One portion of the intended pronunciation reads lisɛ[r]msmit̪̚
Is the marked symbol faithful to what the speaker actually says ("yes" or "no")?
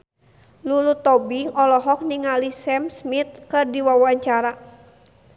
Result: no